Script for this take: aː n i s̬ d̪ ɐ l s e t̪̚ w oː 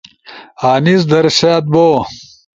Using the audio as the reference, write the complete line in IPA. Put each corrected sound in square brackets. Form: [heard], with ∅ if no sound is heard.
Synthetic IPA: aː n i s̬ d̪ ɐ [ɾ] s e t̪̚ [b] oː